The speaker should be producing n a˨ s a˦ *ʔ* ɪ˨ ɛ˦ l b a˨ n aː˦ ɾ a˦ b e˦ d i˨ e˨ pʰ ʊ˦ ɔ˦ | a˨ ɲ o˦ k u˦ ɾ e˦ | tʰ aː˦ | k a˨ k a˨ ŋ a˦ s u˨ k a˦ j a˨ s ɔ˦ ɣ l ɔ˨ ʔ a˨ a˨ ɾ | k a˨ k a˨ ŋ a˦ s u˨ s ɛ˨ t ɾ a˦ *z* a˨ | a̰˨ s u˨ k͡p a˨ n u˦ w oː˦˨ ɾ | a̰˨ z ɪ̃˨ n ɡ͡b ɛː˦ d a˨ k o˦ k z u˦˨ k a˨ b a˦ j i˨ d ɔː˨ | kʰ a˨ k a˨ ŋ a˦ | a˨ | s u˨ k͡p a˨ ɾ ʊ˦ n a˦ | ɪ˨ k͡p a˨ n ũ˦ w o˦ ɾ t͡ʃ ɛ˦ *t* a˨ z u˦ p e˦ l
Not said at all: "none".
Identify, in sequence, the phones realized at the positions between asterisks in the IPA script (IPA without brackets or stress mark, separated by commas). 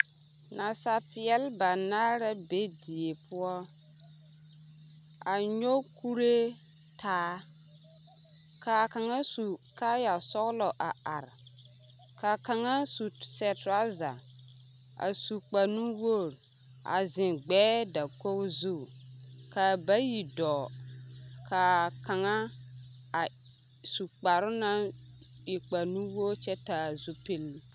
p, z, t